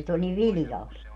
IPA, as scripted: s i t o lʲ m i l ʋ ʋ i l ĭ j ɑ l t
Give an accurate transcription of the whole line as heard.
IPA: s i t o lʲ n i ʋ ʋ i l ĭ j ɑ l t